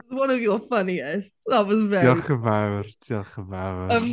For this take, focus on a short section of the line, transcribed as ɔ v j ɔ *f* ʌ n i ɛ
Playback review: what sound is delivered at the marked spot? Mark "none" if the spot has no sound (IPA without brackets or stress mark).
f